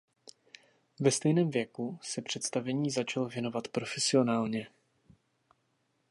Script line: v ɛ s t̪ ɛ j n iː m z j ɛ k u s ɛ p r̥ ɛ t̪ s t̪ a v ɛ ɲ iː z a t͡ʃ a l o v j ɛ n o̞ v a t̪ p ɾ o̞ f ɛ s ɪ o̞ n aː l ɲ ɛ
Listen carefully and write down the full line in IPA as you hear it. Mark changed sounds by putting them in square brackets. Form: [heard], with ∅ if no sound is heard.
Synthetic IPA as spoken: v ɛ s t̪ ɛ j n [ɛː] m [v] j ɛ k u s ɛ p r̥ ɛ t̪ s t̪ a v ɛ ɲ iː z a t͡ʃ a l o v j ɛ n o̞ v a t̪ p ɾ o̞ f ɛ s ɪ o̞ n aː l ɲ ɛ